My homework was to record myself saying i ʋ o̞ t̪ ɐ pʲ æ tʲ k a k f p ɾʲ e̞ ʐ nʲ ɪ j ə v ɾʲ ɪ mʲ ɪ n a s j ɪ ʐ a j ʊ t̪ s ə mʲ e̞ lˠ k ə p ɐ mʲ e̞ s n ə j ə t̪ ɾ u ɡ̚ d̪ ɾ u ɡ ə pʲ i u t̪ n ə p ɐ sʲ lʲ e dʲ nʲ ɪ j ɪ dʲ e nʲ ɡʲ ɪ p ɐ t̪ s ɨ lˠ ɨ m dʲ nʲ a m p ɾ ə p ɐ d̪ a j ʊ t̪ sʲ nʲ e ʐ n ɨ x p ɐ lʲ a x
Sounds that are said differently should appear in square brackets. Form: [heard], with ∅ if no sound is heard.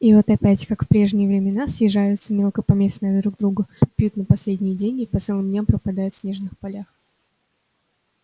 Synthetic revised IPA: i [v] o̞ t̪ ɐ pʲ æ tʲ k a k f p ɾʲ e̞ ʐ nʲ ɪ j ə v ɾʲ ɪ mʲ ɪ n a s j ɪ ʐ a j ʊ t̪ s ə mʲ e̞ lˠ k ə p ɐ mʲ e̞ s n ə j ə [d̪] ɾ u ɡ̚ d̪ ɾ u ɡ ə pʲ [j] u t̪ n ə p ɐ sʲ lʲ e dʲ nʲ ɪ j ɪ dʲ e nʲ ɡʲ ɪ p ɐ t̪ s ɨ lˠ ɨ m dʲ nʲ a m p ɾ ə p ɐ d̪ a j ʊ t̪ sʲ nʲ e ʐ n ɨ x p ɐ lʲ a x

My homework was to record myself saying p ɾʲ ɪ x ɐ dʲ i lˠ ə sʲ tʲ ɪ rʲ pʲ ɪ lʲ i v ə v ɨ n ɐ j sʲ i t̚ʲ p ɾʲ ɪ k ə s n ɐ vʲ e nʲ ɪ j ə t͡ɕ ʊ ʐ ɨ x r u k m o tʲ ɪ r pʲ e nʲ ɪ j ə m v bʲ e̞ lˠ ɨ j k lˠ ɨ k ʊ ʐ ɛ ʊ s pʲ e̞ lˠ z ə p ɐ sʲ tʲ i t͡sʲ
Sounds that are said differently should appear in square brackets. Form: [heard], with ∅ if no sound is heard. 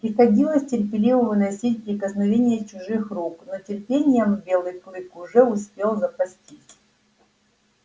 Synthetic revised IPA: p ɾʲ ɪ x ɐ dʲ i lˠ ə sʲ tʲ ɪ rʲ pʲ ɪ lʲ i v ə v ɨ n ɐ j sʲ i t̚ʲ p ɾʲ ɪ k ə s n ɐ vʲ e nʲ ɪ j ə t͡ɕ ʊ ʐ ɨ x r u k [n] o tʲ ɪ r pʲ e nʲ ɪ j ə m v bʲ e̞ lˠ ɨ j k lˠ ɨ k ʊ ʐ ɛ ʊ s pʲ e̞ lˠ z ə p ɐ sʲ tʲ i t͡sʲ

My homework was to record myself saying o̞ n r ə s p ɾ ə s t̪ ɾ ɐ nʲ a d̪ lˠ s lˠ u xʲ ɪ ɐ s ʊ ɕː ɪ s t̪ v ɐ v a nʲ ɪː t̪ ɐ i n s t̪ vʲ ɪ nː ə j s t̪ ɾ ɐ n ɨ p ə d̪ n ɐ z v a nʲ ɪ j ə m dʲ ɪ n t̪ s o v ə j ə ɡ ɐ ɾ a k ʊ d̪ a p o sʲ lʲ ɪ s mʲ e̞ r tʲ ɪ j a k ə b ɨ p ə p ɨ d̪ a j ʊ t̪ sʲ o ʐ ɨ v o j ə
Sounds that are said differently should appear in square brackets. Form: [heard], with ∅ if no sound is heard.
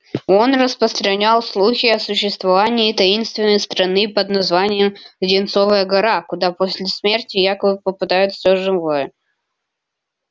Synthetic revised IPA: o̞ n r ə s p ɾ ə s t̪ ɾ ɐ nʲ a [∅] lˠ s lˠ u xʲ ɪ ɐ s ʊ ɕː ɪ s t̪ v ɐ v a nʲ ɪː t̪ ɐ i n s t̪ vʲ ɪ nː ə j s t̪ ɾ ɐ n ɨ p ə d̪ n ɐ z v a nʲ ɪ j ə m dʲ ɪ n t̪ s o v ə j ə ɡ ɐ ɾ a k ʊ d̪ a p o sʲ lʲ ɪ s mʲ e̞ r tʲ ɪ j a k ə b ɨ p ə p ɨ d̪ a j ʊ t̪ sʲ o ʐ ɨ v o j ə

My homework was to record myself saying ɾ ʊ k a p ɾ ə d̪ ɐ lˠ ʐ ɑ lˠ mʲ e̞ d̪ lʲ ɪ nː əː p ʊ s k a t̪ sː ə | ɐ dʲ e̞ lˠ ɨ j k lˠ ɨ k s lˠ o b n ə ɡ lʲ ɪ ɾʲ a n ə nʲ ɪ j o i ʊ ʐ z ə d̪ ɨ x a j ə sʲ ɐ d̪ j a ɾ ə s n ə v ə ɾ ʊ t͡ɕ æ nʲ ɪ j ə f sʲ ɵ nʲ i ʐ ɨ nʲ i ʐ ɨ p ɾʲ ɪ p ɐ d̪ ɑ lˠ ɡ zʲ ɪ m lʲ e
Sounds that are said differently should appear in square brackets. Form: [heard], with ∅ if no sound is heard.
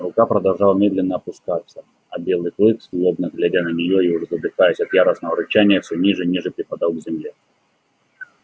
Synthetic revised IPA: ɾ ʊ k a p ɾ ə d̪ ɐ lˠ ʐ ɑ lˠ mʲ e̞ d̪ lʲ ɪ nː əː p ʊ s k a t̪ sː ə | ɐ [bʲ] e̞ lˠ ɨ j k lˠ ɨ k s lˠ o b n ə ɡ lʲ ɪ ɾʲ a n ə nʲ ɪ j o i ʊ ʐ z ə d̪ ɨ x a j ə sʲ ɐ [t̪] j a ɾ ə s n ə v ə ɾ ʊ t͡ɕ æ nʲ ɪ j ə f sʲ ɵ nʲ i ʐ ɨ nʲ i ʐ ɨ p ɾʲ ɪ p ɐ d̪ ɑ lˠ ɡ zʲ ɪ m lʲ e

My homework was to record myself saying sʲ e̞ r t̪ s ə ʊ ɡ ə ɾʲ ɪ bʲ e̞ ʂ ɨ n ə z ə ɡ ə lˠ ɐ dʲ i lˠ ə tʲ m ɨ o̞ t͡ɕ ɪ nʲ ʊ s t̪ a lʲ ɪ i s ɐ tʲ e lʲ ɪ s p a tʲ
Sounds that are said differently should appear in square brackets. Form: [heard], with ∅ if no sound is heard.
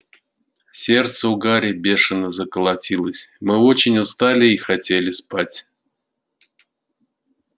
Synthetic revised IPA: sʲ e̞ r t̪ s ə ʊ ɡ [a] ɾʲ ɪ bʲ e̞ ʂ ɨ n ə z ə [k] ə lˠ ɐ [tʲ] i lˠ ə [sʲ] m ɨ o̞ t͡ɕ ɪ nʲ ʊ s t̪ a lʲ ɪ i [x] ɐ tʲ e lʲ ɪ s p a tʲ

